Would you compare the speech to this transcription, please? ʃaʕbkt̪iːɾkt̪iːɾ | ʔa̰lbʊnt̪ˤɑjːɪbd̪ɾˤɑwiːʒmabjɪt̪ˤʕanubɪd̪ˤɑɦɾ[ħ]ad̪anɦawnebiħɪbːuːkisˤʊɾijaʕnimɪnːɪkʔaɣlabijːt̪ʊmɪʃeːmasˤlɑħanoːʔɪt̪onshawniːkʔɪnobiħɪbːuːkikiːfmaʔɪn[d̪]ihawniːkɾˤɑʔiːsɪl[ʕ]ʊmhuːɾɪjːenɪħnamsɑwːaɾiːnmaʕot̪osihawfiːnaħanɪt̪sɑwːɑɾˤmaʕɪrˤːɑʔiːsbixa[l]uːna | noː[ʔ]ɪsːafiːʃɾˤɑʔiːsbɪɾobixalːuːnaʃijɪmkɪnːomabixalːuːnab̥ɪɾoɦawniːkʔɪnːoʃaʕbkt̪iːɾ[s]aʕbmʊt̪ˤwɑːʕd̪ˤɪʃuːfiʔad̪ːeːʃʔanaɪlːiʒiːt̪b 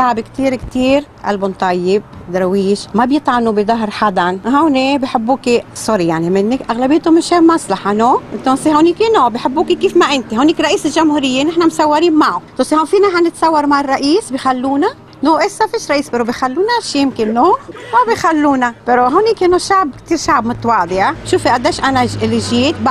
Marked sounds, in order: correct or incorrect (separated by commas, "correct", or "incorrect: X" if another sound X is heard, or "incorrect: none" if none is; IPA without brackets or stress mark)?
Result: correct, incorrect: t̪, incorrect: ʒ, incorrect: lː, correct, incorrect: ʃ